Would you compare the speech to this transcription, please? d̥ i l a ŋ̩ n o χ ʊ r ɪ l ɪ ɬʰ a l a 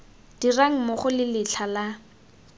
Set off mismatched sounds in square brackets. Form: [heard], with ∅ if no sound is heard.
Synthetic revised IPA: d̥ i [r] a ŋ̩ [m] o χ ʊ [l] ɪ l ɪ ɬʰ a l a